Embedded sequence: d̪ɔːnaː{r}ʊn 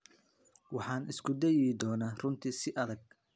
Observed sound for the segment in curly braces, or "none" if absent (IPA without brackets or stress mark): r